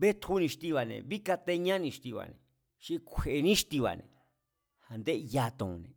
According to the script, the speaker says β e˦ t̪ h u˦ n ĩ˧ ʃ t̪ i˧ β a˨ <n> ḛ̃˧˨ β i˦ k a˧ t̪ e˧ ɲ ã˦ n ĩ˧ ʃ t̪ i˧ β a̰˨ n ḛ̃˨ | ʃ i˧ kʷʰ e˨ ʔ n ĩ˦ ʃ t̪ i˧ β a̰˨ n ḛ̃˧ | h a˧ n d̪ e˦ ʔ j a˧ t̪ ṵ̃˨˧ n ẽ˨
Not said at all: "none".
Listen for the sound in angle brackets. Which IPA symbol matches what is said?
n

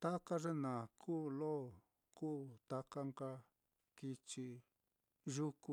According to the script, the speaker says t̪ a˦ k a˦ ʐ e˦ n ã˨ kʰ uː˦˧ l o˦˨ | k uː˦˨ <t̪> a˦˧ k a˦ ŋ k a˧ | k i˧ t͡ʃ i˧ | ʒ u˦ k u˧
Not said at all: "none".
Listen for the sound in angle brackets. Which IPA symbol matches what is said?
t̪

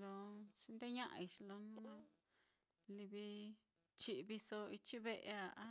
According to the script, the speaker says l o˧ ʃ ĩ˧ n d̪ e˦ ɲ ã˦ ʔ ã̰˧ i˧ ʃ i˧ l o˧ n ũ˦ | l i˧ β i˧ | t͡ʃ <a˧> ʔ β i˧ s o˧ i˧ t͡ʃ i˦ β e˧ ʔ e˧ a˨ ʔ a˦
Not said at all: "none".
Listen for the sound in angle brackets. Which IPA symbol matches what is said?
i˧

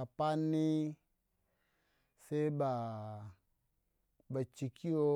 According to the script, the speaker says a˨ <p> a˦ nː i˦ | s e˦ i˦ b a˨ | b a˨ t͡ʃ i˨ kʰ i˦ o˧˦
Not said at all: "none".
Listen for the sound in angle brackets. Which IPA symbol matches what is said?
p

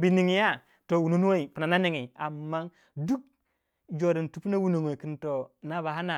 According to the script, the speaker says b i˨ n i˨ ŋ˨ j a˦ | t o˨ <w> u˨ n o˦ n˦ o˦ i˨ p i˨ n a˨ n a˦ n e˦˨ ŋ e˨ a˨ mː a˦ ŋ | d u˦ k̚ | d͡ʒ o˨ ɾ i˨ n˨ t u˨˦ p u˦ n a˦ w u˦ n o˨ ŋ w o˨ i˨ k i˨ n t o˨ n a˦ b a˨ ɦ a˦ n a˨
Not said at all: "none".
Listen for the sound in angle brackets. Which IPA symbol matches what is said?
w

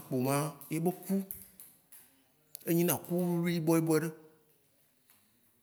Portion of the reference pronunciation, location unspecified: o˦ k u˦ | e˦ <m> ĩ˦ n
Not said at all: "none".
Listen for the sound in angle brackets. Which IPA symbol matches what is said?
ɲ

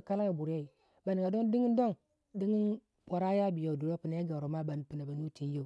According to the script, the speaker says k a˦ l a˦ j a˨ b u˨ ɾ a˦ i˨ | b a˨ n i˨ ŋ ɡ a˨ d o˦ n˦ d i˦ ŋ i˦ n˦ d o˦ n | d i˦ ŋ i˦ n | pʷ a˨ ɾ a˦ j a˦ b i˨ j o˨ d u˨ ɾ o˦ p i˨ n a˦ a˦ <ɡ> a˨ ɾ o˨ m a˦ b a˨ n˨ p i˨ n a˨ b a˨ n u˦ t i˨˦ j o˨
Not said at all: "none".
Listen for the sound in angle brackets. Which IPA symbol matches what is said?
ɡ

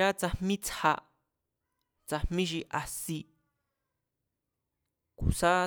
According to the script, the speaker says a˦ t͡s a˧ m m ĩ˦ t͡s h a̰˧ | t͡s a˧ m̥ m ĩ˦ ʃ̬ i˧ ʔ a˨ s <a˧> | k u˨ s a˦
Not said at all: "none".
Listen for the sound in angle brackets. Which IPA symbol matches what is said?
i˧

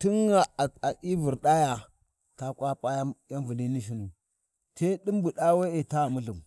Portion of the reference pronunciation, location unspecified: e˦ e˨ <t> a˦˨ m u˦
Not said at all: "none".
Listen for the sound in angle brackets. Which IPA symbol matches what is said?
t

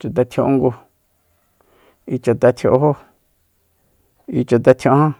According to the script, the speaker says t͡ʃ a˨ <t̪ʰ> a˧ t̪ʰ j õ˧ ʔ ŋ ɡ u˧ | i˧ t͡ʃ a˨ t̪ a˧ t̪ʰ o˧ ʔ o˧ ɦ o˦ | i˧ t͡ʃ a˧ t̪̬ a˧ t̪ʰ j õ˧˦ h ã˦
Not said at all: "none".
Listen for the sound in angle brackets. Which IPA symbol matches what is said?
t̪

